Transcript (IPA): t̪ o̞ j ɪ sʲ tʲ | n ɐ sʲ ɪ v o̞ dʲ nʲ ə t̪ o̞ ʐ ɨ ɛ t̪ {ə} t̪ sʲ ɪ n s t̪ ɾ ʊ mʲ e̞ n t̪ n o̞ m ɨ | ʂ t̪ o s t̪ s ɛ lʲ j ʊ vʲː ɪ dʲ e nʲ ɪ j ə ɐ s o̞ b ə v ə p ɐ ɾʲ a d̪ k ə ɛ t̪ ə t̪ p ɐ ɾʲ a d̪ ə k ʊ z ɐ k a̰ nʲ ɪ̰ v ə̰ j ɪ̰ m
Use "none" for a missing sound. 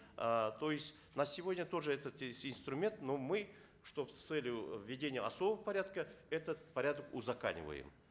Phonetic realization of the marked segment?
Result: ə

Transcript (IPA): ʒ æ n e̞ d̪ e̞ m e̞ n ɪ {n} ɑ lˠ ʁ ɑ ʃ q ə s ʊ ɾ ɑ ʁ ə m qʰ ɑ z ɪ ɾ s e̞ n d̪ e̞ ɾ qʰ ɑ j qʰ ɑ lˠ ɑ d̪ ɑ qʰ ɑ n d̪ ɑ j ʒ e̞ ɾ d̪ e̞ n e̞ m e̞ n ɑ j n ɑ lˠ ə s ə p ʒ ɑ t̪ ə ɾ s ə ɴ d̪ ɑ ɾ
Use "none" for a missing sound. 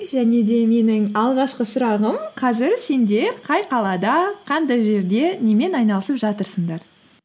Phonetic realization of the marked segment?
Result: ŋ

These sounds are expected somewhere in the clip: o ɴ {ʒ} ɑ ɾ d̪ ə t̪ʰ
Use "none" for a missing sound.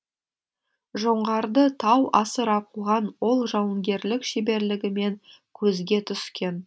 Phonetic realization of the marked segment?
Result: ʁ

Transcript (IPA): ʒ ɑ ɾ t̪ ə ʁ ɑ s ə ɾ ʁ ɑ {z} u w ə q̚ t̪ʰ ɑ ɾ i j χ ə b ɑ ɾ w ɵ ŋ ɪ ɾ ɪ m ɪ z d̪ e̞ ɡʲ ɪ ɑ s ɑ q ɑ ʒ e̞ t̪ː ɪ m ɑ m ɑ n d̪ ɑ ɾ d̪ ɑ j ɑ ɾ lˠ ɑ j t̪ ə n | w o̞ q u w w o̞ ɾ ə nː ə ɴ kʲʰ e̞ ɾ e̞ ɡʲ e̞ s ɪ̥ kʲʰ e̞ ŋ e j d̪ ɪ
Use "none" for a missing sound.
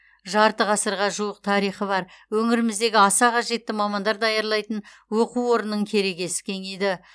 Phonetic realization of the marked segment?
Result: ʒ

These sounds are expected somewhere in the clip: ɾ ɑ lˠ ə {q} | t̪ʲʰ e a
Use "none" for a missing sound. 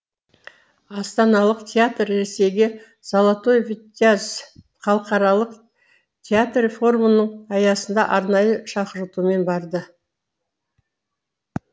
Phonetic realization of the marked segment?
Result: q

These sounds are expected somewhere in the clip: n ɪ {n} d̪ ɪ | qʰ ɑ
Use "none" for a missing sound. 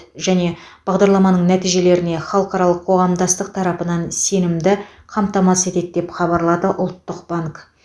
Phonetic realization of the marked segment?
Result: m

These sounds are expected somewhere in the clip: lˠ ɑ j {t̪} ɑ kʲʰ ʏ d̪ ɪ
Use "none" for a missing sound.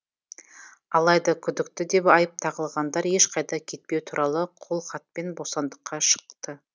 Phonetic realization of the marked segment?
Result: d̪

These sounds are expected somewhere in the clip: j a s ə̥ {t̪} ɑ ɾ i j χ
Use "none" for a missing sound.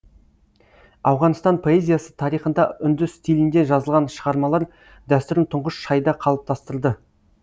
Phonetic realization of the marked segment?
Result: t̪ʰ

